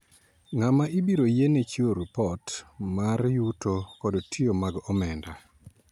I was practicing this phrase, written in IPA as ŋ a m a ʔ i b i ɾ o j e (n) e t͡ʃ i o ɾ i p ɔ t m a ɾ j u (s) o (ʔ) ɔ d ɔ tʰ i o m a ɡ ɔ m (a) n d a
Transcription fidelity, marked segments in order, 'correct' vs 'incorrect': correct, incorrect: t, incorrect: k, incorrect: ɛ

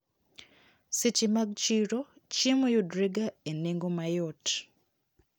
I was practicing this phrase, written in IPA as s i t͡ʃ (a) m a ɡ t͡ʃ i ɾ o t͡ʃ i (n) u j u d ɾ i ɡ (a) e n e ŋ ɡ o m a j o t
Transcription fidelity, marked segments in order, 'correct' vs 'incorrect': incorrect: i, incorrect: m, correct

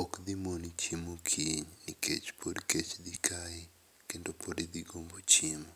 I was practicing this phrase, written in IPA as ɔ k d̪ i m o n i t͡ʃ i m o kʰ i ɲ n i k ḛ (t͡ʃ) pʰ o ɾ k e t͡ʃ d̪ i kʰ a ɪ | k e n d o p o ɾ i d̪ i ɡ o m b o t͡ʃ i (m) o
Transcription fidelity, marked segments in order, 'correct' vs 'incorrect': correct, correct

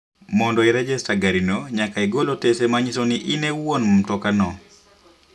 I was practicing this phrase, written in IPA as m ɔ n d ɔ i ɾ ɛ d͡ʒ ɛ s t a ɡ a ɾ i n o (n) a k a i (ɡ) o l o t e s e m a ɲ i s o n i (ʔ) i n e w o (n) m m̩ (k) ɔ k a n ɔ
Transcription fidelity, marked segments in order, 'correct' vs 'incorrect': incorrect: ɲ, correct, correct, correct, incorrect: t

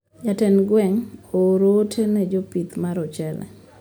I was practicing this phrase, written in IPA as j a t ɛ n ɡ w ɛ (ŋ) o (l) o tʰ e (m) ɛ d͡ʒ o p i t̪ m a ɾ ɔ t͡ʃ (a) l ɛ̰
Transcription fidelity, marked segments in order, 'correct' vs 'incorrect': correct, incorrect: ɾ, incorrect: n, incorrect: ɛ

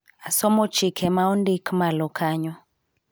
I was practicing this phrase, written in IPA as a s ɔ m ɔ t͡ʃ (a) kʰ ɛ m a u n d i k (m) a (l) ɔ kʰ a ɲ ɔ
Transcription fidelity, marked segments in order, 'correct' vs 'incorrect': incorrect: i, correct, correct

